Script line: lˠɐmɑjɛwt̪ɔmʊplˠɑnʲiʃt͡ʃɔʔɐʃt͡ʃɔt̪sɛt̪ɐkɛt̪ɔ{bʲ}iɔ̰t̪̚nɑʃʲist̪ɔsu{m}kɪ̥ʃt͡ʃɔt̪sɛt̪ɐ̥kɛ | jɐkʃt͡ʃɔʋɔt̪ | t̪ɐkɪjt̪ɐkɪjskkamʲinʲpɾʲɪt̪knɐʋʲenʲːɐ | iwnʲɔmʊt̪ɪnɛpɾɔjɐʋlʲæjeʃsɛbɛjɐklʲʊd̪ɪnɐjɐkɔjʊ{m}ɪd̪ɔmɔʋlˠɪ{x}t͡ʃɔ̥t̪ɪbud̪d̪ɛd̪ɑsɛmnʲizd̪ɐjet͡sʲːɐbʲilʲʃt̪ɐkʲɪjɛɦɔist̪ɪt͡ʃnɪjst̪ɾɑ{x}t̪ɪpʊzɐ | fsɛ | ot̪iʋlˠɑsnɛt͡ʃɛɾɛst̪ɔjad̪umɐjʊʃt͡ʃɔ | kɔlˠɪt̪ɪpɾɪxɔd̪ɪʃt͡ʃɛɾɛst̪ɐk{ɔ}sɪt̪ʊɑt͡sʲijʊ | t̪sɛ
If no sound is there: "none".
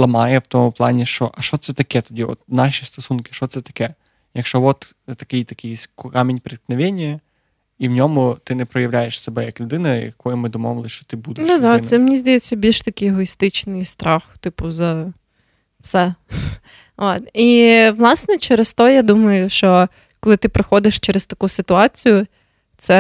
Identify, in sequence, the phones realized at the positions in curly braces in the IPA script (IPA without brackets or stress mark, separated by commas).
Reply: dʲ, n, m, ʃ, x, u